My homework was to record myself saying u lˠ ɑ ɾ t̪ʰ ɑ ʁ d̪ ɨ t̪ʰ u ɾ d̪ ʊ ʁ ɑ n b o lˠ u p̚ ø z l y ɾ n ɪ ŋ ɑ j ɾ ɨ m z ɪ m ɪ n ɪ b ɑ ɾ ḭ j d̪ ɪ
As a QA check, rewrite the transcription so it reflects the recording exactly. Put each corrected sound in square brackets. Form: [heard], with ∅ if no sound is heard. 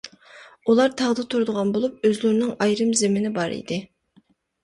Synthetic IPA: u lˠ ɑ ɾ t̪ʰ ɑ ʁ d̪ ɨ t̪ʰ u ɾ d̪ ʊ ʁ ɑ n b o lˠ u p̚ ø z l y ɾ n ɪ ŋ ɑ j ɾ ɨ m z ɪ m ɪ n ɪ b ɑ ɾ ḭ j d̪ ɪ